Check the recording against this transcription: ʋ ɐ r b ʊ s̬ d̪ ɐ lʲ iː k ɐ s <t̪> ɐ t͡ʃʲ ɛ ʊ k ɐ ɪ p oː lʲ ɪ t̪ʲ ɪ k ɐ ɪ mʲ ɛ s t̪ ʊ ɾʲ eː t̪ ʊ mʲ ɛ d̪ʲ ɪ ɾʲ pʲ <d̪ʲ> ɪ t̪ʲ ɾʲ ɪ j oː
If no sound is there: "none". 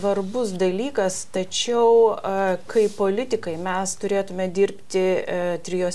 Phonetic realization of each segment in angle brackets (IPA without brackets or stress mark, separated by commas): t̪, t̪ʲ